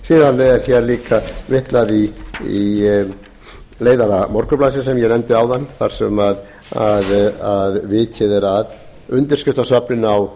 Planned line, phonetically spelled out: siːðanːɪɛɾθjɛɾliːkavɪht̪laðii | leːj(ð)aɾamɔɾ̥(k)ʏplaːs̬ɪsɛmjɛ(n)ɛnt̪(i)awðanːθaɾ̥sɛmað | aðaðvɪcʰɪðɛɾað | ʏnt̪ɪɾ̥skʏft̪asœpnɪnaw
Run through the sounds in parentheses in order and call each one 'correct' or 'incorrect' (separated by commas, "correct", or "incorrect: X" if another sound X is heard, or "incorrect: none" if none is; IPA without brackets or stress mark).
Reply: correct, correct, correct, incorrect: ɪ